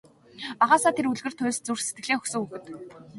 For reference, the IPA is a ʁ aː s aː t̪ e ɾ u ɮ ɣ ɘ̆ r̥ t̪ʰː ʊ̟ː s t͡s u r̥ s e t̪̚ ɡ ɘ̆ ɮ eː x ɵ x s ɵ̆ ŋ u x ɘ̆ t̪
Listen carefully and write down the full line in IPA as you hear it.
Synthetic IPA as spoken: a ʁ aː s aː t̪ʰ e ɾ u ɮ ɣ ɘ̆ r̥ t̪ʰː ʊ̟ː s t͡s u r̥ s e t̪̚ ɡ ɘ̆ ɮ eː x ɵ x s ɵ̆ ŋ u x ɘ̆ t̪